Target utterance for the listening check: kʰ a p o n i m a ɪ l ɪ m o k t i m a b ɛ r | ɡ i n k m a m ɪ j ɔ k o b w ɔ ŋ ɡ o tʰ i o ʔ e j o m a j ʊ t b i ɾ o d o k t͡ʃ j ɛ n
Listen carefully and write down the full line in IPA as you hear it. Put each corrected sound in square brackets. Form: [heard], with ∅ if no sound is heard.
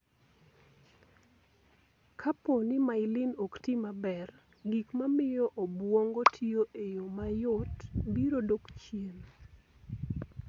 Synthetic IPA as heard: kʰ a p o n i m a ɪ l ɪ [n] o k t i m a b ɛ r | ɡ i [∅] k m a m ɪ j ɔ [ʔ] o b w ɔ ŋ ɡ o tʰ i o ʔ e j o m a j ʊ t b i ɾ o d o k t͡ʃ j [e] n